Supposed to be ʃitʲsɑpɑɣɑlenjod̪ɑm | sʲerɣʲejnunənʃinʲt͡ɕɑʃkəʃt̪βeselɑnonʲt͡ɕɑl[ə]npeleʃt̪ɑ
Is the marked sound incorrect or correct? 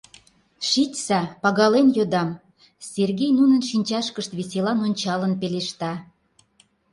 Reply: correct